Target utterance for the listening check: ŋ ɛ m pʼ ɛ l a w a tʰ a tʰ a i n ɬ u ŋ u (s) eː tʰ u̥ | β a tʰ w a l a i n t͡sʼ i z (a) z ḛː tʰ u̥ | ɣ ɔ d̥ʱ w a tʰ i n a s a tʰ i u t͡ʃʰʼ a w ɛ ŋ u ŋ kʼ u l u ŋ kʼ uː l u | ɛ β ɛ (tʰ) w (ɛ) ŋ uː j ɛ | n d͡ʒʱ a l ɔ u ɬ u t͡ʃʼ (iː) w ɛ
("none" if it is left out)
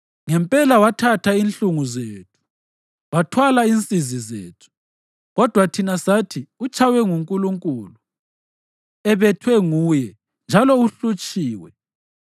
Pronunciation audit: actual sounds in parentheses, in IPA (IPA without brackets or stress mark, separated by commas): z, i, tʰ, ɛ, iː